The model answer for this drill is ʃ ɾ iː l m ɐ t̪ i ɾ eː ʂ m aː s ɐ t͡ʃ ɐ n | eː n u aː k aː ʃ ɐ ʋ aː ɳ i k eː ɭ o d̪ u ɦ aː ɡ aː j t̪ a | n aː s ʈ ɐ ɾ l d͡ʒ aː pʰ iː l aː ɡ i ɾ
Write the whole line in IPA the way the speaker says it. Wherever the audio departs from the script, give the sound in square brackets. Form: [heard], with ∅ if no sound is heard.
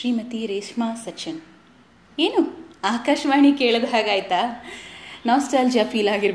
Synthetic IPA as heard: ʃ ɾ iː [∅] m ɐ t̪ i ɾ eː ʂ m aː s ɐ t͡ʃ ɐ n | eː n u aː k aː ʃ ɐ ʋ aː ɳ i k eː ɭ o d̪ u ɦ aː ɡ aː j t̪ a | n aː s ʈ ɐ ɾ l d͡ʒ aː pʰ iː l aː ɡ i ɾ